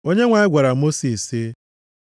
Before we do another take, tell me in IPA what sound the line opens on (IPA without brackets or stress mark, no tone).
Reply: o